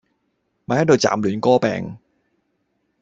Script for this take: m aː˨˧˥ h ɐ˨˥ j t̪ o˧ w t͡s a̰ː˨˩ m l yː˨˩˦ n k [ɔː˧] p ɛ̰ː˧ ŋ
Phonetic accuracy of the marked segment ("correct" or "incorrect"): incorrect